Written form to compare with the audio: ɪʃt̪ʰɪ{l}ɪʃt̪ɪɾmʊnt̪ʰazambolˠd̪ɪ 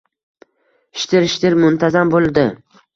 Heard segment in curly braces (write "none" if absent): ɾ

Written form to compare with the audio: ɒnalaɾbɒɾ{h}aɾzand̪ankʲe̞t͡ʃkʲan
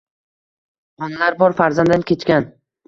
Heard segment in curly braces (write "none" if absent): f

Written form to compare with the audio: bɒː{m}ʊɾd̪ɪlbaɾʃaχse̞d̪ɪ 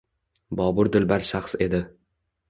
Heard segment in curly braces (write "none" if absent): b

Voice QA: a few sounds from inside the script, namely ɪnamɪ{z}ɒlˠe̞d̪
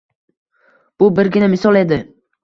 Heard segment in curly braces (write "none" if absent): s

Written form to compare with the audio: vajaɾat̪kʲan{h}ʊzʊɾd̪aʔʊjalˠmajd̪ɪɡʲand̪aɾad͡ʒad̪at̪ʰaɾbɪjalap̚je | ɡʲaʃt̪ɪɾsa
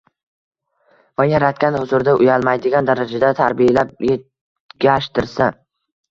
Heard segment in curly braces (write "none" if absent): h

